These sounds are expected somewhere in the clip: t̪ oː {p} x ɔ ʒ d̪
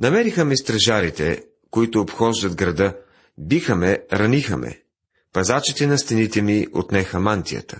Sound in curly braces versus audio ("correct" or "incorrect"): correct